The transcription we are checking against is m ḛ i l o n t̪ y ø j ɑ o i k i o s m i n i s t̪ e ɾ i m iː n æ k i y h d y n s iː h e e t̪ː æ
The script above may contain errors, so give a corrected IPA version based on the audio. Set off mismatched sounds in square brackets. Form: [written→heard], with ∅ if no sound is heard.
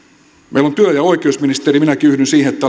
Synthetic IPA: m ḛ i l o n t̪ y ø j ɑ o i k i o s m i n i s t̪ e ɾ i m [iː→i] n æ k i y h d y n s iː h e e t̪ː æ